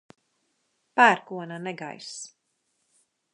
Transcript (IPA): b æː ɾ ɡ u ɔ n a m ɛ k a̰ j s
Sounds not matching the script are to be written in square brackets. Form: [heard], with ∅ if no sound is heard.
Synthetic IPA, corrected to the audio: [p] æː ɾ [k] u ɔ n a [n] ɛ [ɡ] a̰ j s